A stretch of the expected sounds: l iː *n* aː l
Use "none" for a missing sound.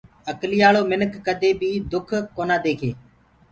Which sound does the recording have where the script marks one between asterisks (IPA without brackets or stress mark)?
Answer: none